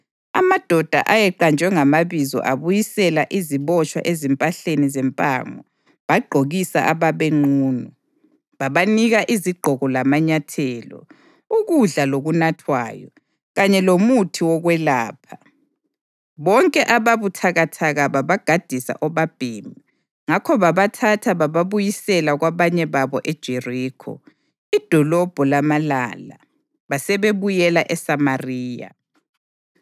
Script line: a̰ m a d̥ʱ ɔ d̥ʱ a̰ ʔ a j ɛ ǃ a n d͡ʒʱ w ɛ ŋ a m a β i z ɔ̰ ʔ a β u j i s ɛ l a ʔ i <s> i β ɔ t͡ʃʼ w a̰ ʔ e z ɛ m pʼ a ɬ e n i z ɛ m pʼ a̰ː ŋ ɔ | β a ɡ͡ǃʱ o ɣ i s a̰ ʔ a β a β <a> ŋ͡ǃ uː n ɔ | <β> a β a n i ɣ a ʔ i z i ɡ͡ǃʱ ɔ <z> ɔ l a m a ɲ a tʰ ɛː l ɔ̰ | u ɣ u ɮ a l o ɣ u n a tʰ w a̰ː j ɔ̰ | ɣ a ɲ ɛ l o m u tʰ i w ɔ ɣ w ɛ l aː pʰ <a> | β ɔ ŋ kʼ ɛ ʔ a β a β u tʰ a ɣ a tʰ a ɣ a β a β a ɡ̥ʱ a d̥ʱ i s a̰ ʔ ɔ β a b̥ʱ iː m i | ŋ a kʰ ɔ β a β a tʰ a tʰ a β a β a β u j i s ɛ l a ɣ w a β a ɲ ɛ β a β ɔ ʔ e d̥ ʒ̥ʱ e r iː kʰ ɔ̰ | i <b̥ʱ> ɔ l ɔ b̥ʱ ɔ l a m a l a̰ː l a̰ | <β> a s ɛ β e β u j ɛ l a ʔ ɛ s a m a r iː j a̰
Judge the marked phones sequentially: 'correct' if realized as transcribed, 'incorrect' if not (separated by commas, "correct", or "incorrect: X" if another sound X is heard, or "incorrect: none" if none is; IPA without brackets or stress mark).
incorrect: z, incorrect: e, correct, incorrect: ɣ, correct, incorrect: d̥ʱ, correct